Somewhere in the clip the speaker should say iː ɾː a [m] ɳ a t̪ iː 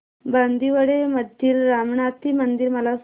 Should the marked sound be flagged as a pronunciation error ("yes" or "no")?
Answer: no